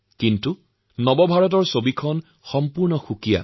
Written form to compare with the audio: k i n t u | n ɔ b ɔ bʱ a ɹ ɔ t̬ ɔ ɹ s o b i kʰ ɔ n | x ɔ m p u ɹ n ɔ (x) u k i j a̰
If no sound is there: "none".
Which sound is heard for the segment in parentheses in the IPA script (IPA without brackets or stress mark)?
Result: x